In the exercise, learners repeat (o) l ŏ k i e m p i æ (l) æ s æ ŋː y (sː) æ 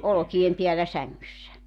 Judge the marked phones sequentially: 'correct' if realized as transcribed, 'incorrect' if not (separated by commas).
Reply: correct, incorrect, correct